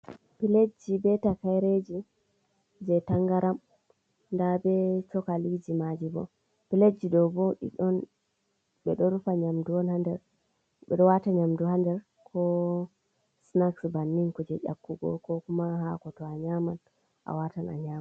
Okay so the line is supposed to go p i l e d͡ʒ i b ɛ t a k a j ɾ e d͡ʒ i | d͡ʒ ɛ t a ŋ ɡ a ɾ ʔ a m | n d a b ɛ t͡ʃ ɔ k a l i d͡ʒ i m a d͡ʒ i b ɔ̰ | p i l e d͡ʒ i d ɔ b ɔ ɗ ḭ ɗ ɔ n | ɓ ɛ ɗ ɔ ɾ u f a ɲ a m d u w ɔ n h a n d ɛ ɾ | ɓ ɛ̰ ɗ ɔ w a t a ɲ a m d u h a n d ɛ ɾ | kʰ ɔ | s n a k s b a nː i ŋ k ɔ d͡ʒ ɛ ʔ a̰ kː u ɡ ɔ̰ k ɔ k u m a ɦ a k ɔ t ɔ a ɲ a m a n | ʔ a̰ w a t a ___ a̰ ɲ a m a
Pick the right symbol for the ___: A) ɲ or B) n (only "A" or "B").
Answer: B